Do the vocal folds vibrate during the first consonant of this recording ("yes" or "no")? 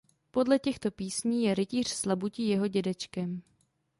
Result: no